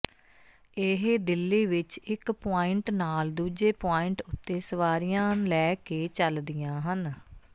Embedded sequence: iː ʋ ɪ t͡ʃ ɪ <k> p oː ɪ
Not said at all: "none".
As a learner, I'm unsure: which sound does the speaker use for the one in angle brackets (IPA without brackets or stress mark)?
k